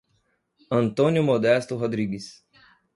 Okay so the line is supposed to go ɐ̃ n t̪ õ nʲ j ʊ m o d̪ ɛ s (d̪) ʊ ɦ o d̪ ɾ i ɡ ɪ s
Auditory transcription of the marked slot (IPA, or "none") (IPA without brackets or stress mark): t̪